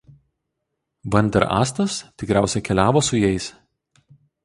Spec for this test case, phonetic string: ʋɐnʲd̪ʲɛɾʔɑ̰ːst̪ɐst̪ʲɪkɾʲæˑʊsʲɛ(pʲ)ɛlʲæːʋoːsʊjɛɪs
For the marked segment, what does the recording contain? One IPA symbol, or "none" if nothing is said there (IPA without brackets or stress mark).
kʲ